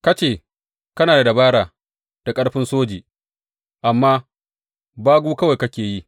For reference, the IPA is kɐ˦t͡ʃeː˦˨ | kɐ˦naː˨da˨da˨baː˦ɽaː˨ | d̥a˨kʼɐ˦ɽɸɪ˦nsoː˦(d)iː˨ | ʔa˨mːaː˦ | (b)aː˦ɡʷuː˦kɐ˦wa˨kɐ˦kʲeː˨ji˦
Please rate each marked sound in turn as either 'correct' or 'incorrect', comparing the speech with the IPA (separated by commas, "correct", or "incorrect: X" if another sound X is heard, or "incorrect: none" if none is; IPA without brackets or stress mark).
incorrect: d͡ʒ, correct